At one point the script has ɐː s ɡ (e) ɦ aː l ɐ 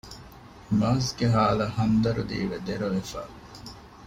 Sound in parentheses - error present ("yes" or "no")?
no